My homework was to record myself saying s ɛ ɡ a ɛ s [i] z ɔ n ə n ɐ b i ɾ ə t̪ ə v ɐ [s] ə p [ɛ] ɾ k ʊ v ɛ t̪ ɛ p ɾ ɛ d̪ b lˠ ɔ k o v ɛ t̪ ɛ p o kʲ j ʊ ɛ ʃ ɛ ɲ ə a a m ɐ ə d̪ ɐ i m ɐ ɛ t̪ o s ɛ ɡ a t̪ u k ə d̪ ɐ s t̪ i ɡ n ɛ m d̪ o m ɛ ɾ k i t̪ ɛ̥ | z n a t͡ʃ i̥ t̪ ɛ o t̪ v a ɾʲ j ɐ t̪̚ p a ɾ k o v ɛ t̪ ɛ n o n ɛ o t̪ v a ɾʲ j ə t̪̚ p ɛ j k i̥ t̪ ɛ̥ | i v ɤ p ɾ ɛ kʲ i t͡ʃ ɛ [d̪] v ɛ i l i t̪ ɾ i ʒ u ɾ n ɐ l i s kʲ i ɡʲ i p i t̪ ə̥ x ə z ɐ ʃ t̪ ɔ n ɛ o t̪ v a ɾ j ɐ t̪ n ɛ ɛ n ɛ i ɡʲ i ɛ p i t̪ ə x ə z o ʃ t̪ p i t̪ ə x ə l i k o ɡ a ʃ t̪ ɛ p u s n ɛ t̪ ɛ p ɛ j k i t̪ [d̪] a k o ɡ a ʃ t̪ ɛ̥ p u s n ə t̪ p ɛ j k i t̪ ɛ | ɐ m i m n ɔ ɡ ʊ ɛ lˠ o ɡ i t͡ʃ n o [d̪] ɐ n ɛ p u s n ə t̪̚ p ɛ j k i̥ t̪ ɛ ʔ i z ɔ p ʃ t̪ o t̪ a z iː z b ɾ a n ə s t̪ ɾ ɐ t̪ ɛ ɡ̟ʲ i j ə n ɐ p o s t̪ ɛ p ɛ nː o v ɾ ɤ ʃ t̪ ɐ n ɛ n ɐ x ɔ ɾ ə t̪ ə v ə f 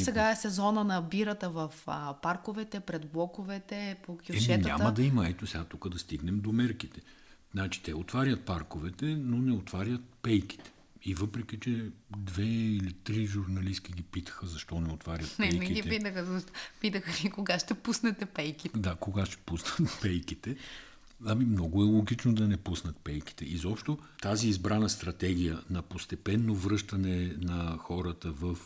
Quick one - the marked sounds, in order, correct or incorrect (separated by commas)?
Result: incorrect, incorrect, incorrect, correct, correct, correct